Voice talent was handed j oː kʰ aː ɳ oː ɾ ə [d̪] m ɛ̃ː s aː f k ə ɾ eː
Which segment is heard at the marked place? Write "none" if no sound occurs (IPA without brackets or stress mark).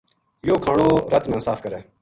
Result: t̪